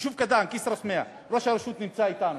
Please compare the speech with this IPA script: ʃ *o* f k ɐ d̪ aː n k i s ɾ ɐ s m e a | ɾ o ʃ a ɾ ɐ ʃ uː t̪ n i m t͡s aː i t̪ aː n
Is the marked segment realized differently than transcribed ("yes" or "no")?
yes